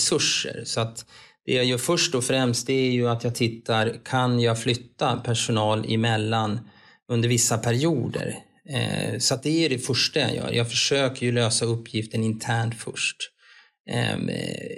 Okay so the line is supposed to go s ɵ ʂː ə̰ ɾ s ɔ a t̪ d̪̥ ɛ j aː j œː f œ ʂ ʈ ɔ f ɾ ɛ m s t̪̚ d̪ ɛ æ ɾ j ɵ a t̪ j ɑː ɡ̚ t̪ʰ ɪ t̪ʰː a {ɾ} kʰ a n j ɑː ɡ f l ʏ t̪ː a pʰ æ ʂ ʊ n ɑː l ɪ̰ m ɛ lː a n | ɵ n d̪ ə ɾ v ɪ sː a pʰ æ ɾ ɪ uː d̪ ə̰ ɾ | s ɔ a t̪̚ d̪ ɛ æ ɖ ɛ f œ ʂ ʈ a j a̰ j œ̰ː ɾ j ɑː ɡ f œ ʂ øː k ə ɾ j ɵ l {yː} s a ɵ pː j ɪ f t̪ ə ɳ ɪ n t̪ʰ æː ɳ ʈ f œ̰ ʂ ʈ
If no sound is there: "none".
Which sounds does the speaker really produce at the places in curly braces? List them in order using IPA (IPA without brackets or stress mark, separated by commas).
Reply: ɾ, øː